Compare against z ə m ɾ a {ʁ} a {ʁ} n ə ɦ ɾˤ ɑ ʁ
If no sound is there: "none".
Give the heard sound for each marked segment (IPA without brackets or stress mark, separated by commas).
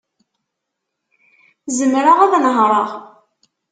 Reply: ʁ, ð